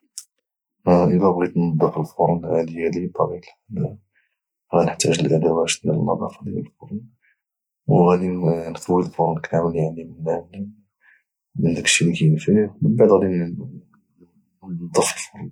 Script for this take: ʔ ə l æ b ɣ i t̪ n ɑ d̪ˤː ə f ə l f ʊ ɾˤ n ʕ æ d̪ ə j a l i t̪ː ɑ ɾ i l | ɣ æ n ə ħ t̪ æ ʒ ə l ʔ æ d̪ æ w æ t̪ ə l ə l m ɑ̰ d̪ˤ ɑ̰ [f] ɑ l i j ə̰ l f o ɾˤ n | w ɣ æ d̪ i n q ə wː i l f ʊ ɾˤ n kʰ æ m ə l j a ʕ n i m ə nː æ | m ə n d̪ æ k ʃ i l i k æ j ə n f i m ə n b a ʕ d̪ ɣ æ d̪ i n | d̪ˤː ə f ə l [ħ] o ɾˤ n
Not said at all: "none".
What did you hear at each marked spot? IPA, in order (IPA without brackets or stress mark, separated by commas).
f, f